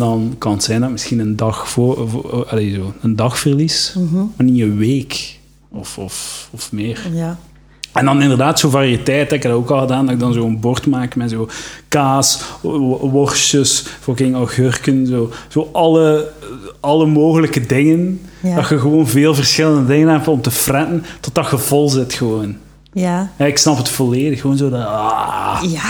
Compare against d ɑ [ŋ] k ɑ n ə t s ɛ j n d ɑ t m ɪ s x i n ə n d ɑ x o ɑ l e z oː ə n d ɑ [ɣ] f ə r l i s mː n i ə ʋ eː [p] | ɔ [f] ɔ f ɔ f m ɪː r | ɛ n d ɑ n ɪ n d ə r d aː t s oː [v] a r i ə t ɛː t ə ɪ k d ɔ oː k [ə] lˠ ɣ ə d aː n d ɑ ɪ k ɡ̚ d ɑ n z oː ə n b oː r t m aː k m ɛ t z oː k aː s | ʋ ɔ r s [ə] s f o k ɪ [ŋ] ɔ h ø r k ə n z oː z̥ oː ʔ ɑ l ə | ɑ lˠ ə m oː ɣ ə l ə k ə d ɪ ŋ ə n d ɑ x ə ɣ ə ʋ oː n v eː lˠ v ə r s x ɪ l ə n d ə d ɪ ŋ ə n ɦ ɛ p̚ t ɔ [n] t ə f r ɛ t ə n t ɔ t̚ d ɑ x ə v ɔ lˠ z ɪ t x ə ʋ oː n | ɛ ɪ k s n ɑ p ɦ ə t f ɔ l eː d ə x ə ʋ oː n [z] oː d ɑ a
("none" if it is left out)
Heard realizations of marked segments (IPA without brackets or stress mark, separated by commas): n, x, k, f, v, ɑ, ə, ŋ, m, z